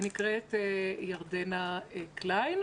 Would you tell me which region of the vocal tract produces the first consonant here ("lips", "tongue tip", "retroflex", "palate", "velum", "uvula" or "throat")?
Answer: tongue tip